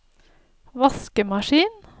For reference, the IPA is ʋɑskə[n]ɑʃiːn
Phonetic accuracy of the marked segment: incorrect: m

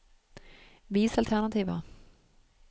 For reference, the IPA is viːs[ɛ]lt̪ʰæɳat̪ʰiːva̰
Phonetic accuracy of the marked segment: incorrect: a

